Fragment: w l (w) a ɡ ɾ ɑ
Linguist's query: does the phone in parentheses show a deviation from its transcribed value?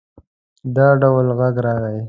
yes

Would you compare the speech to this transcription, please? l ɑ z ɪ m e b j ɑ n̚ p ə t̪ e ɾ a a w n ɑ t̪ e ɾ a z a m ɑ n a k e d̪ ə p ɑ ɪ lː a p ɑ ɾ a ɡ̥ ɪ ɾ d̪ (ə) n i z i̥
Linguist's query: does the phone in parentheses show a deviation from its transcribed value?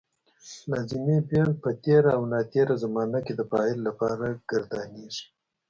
yes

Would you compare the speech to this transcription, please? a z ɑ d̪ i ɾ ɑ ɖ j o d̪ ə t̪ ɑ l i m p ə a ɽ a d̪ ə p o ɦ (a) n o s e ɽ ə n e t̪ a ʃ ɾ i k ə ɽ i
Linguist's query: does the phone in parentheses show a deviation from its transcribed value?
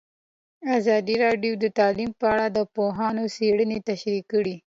yes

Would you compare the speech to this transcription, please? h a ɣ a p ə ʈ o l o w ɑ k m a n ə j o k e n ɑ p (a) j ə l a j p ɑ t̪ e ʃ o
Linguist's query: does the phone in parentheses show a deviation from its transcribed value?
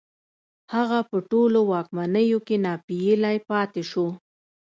yes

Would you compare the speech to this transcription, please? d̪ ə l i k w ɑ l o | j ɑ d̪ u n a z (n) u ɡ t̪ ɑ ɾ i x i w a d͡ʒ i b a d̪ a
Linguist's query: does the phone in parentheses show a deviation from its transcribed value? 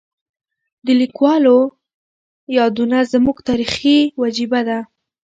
yes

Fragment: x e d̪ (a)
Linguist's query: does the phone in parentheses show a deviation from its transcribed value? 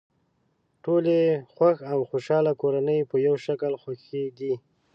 yes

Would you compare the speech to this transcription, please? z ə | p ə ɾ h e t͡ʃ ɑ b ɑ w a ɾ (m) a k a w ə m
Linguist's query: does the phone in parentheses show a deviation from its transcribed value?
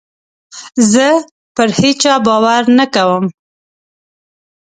yes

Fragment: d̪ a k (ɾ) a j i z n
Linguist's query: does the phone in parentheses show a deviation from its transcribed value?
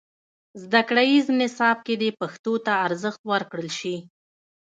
yes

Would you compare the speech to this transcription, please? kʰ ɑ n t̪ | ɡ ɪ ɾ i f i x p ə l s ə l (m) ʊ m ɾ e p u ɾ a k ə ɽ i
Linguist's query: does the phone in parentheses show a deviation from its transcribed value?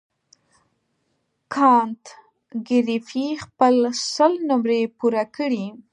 yes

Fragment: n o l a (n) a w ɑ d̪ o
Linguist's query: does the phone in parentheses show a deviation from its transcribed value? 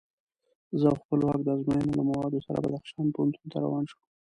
yes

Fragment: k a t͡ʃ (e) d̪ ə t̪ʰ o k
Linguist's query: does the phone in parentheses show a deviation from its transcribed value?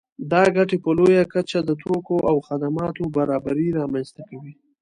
yes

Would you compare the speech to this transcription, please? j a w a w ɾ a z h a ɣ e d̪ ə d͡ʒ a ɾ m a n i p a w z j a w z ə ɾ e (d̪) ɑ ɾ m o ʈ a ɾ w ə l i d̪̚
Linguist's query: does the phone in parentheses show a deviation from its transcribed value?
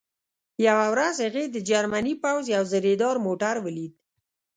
no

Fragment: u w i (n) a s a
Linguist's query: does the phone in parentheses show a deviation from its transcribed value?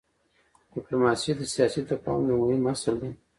yes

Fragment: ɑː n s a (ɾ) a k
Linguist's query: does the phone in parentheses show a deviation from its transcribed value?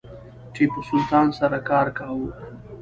no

